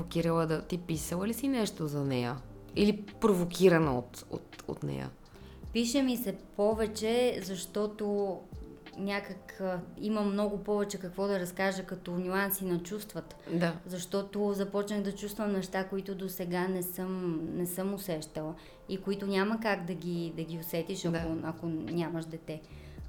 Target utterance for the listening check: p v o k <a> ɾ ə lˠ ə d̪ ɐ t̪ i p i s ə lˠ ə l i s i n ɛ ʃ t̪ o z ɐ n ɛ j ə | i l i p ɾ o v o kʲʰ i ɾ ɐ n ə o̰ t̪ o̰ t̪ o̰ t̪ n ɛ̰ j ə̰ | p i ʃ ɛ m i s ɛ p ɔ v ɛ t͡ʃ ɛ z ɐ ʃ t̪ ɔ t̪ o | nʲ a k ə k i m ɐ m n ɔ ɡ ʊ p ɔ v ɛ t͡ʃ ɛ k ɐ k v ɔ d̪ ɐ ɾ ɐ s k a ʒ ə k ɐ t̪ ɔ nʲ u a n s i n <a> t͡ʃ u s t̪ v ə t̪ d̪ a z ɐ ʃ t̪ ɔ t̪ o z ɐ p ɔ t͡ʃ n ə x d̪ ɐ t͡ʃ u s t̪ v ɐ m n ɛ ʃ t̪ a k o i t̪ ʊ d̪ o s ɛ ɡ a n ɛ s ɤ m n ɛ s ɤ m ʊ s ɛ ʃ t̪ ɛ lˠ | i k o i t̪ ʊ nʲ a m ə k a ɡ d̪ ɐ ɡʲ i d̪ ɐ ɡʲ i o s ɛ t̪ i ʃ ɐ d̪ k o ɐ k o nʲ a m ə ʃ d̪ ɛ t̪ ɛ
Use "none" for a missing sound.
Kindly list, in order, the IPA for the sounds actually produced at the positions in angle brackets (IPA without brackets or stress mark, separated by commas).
i, ɐ